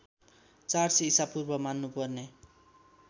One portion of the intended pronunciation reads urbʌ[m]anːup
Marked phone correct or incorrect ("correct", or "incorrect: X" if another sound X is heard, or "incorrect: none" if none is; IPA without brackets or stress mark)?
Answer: correct